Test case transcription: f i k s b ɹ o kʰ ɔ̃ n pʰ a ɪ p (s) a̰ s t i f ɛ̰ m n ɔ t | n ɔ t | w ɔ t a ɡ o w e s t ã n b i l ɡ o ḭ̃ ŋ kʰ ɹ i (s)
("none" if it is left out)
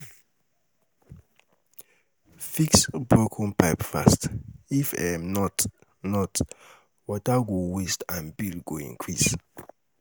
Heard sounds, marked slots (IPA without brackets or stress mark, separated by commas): f, s